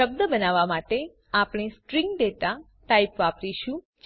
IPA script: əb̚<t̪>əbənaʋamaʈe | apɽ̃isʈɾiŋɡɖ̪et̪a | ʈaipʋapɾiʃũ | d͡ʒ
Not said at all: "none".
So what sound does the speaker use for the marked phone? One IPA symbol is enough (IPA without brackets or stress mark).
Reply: d̪